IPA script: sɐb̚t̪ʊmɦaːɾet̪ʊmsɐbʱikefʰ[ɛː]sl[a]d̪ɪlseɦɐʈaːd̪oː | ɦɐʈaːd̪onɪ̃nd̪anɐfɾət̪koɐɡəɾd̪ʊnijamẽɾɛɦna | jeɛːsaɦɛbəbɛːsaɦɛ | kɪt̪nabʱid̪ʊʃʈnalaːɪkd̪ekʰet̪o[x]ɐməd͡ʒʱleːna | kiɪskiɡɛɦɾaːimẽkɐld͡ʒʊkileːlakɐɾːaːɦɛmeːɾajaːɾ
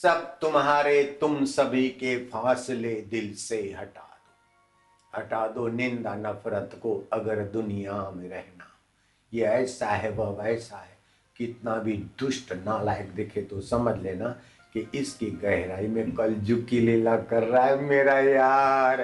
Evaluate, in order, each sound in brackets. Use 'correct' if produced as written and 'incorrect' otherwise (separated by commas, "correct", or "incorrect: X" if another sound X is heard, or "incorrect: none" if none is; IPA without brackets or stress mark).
incorrect: aː, incorrect: e, incorrect: s